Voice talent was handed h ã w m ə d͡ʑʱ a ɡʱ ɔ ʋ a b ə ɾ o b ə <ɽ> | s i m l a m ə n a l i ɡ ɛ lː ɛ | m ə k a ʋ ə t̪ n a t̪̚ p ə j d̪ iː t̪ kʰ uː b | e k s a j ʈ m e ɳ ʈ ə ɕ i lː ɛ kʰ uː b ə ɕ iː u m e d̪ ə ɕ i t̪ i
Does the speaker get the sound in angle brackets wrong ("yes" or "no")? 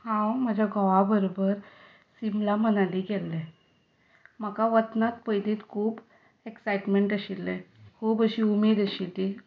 yes